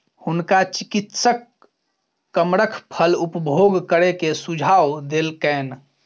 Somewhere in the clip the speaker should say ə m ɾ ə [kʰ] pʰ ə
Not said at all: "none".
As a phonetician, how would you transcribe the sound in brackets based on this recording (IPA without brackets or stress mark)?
kʰ